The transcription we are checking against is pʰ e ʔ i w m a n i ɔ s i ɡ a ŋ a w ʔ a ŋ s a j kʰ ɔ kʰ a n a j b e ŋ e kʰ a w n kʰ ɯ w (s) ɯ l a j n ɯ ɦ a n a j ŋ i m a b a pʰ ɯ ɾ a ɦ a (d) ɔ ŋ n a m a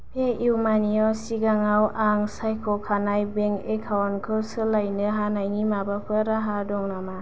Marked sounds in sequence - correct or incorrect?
correct, correct

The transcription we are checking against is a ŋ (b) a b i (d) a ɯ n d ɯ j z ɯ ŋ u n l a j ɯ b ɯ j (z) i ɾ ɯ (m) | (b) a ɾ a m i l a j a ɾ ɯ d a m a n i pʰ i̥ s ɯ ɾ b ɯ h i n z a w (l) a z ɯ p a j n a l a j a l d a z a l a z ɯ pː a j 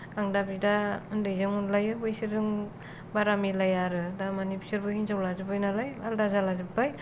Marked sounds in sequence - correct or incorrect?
incorrect: d, correct, incorrect: s, incorrect: ŋ, correct, correct

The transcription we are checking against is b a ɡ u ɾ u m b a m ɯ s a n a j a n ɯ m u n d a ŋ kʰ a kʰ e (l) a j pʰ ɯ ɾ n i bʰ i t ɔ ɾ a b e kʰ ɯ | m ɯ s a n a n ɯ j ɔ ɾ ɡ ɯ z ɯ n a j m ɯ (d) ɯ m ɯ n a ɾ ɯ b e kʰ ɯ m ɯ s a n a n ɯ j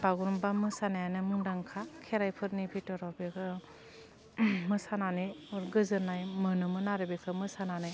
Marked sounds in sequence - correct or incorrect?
incorrect: ɾ, incorrect: n

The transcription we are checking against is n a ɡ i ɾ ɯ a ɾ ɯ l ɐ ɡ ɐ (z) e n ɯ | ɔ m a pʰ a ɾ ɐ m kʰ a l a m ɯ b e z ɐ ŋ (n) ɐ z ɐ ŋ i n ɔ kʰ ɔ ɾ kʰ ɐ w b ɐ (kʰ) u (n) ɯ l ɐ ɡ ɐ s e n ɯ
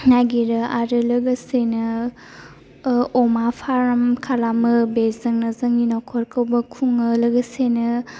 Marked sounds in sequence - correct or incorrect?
incorrect: s, correct, correct, incorrect: ŋ

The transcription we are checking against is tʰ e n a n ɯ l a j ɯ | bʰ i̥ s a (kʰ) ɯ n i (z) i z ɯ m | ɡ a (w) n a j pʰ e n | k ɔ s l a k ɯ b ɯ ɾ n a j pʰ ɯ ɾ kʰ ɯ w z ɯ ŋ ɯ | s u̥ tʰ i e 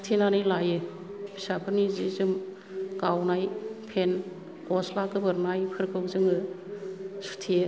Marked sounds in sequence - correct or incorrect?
incorrect: pʰ, correct, correct

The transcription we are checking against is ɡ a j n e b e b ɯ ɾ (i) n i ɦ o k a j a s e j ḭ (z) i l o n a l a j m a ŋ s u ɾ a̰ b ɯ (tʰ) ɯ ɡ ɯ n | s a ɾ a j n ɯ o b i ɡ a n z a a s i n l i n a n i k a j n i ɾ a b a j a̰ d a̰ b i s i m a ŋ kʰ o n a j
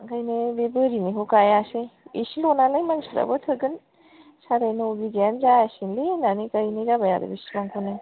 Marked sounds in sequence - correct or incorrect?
correct, incorrect: s, correct

